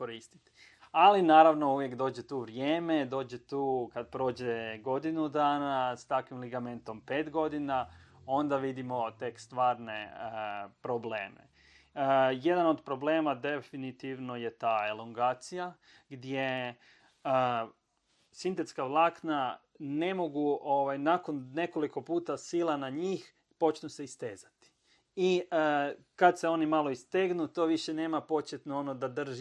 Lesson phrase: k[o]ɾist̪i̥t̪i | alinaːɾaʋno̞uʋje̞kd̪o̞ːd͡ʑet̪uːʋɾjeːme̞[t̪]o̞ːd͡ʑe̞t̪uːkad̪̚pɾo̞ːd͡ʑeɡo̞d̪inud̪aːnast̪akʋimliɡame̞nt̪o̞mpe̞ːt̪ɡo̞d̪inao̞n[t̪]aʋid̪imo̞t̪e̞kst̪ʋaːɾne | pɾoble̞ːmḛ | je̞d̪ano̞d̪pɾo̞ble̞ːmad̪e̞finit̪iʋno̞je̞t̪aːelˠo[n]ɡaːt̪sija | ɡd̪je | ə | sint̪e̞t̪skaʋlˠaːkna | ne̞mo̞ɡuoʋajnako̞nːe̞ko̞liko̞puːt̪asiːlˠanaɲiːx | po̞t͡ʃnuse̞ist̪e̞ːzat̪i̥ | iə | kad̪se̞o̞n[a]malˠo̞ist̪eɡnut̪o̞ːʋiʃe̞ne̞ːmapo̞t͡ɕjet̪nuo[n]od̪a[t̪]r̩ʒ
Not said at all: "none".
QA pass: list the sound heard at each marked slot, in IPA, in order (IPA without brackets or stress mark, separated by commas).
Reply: o, d̪, d̪, ŋ, i, n, d̪